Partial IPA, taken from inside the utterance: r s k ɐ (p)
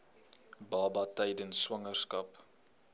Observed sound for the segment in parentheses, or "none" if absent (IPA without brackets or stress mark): p